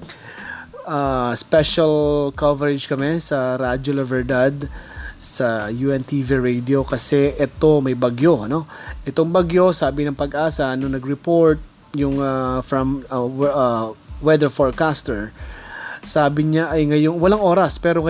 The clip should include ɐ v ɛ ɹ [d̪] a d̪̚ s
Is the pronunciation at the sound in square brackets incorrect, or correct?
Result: correct